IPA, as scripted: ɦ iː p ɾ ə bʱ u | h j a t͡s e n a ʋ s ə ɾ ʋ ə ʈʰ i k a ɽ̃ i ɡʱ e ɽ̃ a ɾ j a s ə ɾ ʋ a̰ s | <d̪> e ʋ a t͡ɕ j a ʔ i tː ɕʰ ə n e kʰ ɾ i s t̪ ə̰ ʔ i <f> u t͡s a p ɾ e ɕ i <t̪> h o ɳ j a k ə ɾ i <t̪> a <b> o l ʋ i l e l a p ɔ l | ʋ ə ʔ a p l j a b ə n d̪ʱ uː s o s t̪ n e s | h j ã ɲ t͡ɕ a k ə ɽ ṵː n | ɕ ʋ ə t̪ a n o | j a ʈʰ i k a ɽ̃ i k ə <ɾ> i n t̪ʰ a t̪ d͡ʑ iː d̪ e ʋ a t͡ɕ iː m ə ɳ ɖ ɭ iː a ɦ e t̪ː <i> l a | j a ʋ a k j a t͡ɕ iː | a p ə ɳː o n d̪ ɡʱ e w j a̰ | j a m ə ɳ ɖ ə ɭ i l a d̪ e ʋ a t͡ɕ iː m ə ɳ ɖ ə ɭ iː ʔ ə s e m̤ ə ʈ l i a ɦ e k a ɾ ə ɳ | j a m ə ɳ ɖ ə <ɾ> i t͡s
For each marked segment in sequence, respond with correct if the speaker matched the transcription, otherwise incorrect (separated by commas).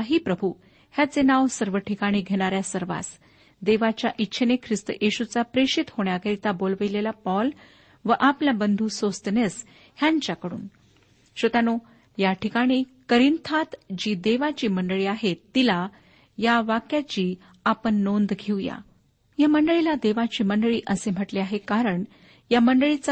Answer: correct, incorrect, correct, correct, correct, correct, correct, incorrect